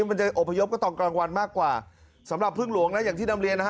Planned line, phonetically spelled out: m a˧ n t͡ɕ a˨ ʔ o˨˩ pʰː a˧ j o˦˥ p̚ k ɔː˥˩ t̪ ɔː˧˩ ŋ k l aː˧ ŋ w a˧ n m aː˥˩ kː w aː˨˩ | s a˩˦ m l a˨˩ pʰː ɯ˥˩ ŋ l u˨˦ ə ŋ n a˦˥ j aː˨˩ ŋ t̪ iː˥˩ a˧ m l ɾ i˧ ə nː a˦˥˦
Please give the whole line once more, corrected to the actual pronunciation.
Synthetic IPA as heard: m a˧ n t͡ɕ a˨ ʔ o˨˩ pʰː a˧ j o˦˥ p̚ k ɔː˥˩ t̪ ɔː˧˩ ŋ k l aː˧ ŋ w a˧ n m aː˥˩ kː w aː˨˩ | s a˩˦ m ɾ a˨˩ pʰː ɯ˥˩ ŋ l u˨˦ ə ŋ n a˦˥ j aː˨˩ ŋ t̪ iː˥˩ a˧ m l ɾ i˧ ə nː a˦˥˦